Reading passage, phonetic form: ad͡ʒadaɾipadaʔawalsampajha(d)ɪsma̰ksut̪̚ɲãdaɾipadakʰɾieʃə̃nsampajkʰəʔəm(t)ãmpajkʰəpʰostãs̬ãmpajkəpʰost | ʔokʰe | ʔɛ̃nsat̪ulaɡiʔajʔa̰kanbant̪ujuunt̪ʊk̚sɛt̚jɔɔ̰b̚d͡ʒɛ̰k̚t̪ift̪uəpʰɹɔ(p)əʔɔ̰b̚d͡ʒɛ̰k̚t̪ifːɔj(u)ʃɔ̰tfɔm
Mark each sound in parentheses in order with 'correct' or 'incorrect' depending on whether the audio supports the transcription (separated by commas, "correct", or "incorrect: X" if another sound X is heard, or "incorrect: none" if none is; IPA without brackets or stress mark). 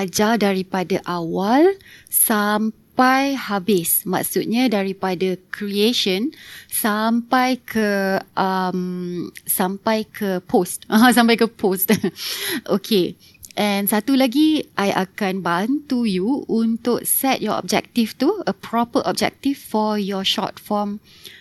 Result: incorrect: b, incorrect: s, correct, incorrect: ɔ